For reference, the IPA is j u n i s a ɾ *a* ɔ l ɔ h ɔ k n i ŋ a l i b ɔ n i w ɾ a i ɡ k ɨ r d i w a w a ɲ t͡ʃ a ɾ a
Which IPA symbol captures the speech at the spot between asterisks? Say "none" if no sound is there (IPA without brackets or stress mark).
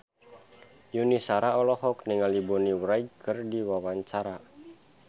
a